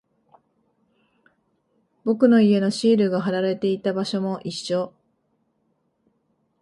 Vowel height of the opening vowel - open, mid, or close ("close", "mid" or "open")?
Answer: mid